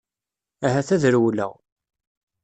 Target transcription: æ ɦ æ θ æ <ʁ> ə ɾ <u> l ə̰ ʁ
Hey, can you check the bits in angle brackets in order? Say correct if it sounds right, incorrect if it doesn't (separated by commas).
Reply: incorrect, incorrect